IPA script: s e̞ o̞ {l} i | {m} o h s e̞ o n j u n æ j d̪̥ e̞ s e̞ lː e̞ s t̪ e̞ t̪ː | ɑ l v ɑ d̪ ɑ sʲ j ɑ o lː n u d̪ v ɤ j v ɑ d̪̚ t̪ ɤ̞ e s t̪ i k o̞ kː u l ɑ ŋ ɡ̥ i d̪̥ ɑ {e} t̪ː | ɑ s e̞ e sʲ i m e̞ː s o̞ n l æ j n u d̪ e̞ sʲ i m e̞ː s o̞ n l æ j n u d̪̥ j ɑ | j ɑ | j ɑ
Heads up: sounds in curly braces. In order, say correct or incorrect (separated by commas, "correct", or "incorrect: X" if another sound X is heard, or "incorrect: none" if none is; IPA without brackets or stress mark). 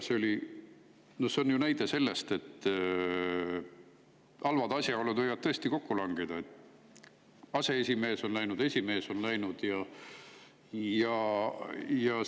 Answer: correct, incorrect: n, correct